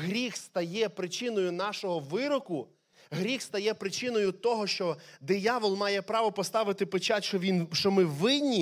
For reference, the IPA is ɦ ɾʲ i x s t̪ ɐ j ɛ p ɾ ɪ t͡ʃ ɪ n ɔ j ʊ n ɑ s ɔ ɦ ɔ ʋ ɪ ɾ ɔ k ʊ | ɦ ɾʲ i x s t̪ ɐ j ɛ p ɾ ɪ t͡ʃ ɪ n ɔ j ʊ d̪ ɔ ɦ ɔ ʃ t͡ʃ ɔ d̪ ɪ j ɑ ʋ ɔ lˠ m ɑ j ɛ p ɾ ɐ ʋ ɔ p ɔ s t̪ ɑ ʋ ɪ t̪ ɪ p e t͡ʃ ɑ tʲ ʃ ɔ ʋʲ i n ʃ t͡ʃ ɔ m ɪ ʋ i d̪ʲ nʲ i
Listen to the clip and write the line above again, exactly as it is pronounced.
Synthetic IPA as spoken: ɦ ɾʲ i x s t̪ ɐ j ɛ p ɾ ɪ t͡ʃ ɪ n ɔ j ʊ n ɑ ʃ ɔ ɦ ɔ ʋ ɪ ɾ ɔ k ʊ | ɦ ɾʲ i x s t̪ ɐ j ɛ p ɾ ɪ t͡ʃ ɪ n ɔ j ʊ t̪ ɔ ɦ ɔ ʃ t͡ʃ ɔ d̪ ɪ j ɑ ʋ ɔ lˠ m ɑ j ɛ p ɾ ɑ ʋ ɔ p ɔ s t̪ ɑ ʋ ɪ t̪ ɪ p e t͡ʃ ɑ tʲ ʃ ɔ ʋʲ i n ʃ t͡ʃ ɔ m ɪ ʋ ɪ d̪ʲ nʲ i